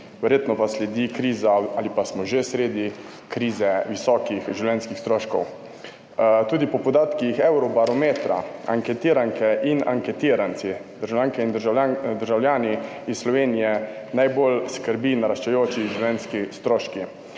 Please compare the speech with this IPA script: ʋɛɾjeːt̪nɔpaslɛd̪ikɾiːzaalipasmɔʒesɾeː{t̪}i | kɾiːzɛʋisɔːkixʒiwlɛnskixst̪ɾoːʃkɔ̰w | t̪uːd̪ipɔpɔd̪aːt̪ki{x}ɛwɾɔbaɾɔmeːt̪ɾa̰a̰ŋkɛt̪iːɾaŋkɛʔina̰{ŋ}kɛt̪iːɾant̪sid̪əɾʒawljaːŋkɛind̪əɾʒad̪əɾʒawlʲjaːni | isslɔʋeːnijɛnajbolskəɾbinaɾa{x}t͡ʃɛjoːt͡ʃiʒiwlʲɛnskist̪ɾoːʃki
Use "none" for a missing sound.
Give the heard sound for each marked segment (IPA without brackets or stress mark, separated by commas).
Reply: d̪, x, ŋ, ʃ